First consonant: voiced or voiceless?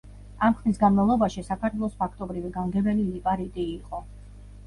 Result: voiced